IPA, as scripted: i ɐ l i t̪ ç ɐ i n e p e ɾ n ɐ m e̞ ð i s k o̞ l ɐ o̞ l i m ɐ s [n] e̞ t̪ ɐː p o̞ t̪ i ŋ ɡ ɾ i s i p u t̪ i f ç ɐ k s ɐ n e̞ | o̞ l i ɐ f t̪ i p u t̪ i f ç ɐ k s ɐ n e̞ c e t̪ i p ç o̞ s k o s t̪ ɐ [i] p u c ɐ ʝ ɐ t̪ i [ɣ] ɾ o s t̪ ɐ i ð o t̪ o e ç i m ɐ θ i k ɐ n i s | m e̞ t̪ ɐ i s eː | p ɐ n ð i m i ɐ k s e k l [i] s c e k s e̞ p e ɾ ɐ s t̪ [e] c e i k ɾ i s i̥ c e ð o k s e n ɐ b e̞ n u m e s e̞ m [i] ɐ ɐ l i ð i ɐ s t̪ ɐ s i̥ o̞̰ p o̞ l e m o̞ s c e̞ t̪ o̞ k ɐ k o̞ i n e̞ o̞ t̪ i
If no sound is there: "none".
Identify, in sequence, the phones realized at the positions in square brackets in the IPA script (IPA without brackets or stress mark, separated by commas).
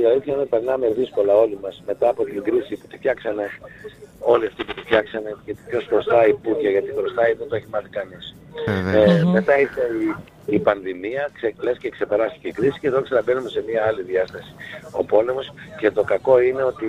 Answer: m, i, ɣ, e, i, i